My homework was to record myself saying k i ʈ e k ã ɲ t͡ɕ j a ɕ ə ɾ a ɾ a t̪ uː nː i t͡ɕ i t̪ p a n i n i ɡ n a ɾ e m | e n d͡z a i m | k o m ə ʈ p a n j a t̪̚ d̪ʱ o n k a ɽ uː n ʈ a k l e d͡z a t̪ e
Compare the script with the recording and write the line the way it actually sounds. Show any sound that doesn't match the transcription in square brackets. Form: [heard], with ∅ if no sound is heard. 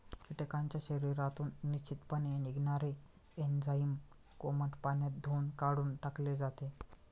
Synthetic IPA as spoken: k i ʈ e k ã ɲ t͡ɕ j a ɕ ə ɾ [i] ɾ a t̪ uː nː i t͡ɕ i t̪ p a n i n i ɡ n a ɾ e [∅] | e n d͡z a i m | k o m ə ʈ p a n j a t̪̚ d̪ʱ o n k a ɽ uː n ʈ a k l e d͡z a t̪ e